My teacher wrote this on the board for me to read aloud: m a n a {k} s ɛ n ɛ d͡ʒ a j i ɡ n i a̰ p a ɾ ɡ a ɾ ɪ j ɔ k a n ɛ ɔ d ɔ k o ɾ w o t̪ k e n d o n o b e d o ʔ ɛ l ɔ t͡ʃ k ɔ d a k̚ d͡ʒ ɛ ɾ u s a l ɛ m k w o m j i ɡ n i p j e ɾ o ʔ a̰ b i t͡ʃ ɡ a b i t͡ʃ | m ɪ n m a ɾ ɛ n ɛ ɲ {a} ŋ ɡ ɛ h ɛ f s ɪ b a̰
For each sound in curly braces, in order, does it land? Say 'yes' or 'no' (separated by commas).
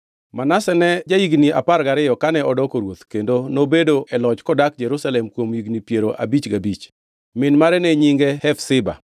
no, no